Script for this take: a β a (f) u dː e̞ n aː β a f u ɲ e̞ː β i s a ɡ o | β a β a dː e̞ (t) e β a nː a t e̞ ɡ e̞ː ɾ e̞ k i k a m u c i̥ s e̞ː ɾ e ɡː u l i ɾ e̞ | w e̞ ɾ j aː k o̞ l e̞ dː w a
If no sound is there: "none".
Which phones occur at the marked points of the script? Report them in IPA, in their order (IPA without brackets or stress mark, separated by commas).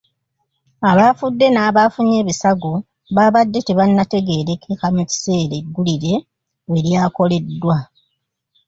f, t